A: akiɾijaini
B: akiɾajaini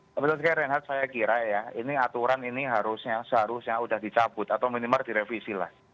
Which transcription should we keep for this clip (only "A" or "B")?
B